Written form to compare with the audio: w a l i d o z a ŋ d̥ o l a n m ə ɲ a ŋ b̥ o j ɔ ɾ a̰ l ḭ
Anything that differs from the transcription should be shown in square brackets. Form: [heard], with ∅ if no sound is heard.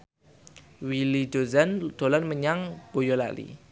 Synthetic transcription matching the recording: w [i] l i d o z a [n] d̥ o l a n m ə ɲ a ŋ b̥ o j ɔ [l] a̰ l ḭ